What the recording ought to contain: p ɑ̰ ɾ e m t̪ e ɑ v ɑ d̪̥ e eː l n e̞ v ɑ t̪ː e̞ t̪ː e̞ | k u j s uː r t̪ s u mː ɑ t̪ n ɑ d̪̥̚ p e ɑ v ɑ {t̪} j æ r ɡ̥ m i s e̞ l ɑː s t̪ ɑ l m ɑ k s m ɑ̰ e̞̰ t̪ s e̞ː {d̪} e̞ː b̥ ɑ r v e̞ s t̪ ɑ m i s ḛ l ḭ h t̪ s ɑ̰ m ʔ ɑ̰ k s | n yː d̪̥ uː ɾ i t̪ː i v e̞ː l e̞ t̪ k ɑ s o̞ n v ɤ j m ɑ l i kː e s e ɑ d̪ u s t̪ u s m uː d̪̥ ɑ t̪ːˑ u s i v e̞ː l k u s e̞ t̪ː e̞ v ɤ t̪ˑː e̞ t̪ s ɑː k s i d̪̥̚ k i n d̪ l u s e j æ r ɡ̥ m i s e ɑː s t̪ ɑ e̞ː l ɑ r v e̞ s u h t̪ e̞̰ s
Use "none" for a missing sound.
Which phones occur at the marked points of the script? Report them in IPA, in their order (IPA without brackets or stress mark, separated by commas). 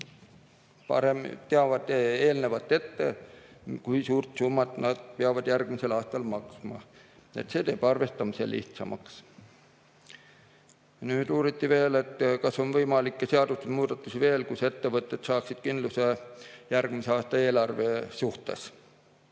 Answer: d̪, t̪